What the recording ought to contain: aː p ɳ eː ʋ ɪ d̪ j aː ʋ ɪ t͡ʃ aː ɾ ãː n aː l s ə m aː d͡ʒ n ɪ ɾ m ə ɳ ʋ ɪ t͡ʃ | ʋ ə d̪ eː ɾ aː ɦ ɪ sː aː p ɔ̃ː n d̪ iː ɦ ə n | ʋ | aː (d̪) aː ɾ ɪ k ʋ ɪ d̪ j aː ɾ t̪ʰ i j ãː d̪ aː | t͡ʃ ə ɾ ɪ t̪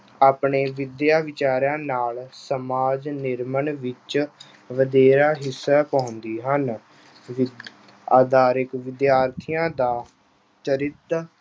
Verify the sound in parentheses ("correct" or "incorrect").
correct